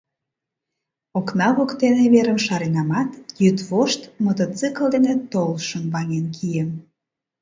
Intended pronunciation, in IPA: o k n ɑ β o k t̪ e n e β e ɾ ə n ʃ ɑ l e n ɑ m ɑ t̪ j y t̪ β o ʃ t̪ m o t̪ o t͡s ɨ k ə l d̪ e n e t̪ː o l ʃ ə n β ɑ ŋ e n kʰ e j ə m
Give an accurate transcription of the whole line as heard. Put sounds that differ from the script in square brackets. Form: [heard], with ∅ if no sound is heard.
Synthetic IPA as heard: o k n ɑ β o k t̪ e n e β e ɾ ə [m] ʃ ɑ [ɾ] e n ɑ m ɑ t̪ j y t̪ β o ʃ t̪ m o t̪ o t͡s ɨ k ə l d̪ e n e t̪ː o l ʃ ə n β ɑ ŋ e n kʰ [i] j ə m